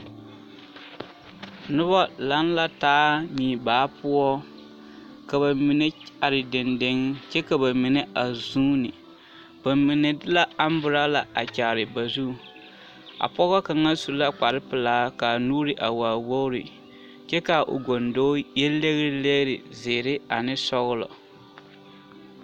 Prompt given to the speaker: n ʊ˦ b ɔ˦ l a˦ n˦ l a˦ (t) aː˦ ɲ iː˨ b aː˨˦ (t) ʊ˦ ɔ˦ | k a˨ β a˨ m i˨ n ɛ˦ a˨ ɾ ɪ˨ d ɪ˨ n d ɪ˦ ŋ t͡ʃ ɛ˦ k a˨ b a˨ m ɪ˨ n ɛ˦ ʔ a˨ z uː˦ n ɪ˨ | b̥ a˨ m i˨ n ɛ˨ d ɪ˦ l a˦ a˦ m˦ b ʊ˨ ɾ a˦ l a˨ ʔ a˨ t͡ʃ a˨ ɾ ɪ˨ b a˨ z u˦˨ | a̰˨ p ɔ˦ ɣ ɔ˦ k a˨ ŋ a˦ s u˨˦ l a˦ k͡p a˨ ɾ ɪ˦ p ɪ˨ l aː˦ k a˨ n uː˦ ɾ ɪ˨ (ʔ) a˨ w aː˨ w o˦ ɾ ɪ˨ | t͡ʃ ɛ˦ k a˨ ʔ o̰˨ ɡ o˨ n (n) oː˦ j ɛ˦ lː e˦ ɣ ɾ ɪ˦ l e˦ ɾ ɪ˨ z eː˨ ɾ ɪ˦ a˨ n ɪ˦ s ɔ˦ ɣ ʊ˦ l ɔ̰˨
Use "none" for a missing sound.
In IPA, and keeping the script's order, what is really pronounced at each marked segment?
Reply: t, p, ʔ, d

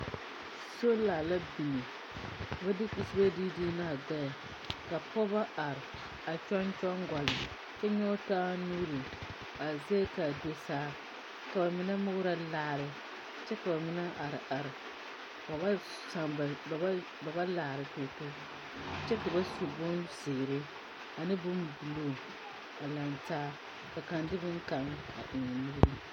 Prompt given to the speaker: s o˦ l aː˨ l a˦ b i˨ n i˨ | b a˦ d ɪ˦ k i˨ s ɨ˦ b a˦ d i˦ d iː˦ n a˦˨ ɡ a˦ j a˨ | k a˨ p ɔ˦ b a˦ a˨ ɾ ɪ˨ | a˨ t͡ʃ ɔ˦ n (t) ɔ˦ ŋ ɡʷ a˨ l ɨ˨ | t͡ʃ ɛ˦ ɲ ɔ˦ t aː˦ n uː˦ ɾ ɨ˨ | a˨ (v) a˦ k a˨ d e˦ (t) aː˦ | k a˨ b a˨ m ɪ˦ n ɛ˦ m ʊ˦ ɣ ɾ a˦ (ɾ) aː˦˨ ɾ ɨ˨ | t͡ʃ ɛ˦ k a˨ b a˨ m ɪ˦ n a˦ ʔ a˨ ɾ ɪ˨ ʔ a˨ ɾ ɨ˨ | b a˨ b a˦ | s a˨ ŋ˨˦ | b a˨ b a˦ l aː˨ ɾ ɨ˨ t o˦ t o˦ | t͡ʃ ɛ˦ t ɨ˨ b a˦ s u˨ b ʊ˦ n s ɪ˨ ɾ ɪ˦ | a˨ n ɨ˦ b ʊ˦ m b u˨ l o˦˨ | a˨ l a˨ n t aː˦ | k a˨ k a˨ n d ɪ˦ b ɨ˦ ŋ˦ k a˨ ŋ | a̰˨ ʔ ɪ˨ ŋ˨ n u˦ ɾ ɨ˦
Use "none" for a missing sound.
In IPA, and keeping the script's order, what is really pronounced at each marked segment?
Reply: t͡ʃ, z, s, l

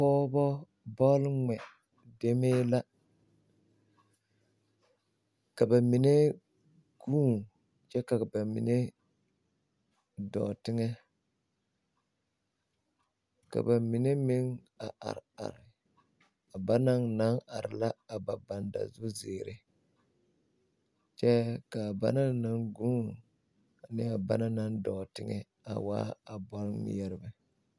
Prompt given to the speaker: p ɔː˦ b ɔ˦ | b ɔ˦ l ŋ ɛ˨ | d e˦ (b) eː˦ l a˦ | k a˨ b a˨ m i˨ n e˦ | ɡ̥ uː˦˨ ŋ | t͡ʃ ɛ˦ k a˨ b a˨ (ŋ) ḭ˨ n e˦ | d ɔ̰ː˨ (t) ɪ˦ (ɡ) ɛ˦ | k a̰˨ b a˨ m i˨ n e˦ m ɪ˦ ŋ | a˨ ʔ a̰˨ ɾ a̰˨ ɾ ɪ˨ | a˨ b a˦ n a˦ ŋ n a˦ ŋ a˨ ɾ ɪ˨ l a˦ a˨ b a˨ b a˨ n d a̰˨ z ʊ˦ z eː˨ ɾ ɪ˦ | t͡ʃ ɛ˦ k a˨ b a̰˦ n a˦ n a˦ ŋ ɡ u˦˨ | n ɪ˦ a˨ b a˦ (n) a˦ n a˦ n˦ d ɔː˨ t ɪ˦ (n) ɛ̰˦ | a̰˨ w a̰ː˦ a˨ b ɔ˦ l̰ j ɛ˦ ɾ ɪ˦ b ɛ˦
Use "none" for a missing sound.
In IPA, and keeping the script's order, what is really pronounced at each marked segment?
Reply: m, m, t, ŋ, n, ŋ

